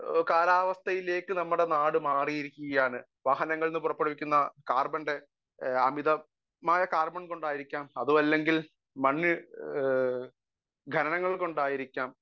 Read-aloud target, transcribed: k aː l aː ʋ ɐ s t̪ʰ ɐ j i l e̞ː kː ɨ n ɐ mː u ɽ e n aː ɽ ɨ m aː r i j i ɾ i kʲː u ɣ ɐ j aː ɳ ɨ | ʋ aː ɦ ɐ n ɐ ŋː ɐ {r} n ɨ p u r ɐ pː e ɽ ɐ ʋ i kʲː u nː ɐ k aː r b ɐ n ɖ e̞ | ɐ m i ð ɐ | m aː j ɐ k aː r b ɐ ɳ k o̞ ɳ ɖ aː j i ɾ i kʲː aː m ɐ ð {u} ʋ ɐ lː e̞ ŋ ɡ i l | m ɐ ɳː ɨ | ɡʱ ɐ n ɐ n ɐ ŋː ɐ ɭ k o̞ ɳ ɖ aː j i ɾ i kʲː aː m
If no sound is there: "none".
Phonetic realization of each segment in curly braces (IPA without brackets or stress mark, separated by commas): ɭ, u